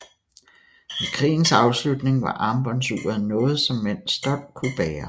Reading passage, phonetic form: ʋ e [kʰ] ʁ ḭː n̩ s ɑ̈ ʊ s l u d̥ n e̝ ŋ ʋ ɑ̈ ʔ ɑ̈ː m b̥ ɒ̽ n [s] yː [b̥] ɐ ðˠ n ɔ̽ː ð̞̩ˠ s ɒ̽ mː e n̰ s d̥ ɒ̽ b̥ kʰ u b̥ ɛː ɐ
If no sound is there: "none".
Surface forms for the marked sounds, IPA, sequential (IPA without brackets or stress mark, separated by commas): kʰ, s, none